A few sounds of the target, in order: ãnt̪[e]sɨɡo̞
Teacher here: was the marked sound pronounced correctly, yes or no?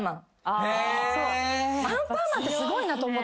yes